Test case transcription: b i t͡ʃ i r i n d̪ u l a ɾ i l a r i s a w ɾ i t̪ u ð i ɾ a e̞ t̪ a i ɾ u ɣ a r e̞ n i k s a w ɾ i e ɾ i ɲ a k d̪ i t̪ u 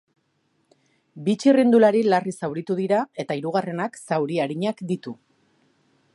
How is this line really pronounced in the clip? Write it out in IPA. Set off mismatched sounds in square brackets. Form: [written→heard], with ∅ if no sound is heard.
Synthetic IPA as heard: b i t͡ʃ i r i n d̪ u l a ɾ i l a r i s a w ɾ i t̪ u ð i ɾ a e̞ t̪ a i ɾ u ɣ a r e̞ n [i→a] k s a w ɾ i [e→a] ɾ i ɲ a k d̪ i t̪ u